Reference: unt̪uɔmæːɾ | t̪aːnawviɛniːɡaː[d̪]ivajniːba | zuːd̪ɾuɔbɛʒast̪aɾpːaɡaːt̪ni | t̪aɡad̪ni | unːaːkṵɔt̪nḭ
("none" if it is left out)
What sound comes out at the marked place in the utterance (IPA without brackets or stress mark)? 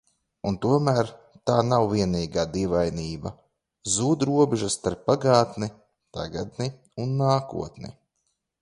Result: d̪